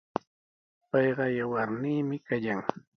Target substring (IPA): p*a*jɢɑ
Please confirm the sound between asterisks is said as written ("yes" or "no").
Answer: no